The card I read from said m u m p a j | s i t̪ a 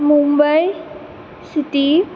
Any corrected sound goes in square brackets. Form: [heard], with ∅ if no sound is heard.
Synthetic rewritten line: m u m [b] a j | s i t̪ [i]

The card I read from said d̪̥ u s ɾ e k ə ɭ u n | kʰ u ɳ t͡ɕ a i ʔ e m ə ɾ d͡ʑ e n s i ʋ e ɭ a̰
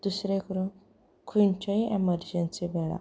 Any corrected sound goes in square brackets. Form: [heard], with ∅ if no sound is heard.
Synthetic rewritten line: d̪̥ u s ɾ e k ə [ɾ] u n | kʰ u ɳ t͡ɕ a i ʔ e m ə ɾ d͡ʑ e n s i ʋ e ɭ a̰

